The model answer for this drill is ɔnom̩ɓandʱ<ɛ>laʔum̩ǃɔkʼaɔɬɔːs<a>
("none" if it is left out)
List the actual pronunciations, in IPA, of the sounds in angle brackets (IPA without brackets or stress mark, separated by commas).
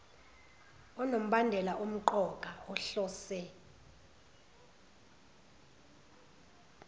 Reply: ɛ, ɛ